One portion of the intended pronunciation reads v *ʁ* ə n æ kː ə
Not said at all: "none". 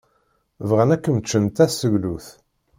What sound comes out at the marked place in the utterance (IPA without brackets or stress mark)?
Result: ʁ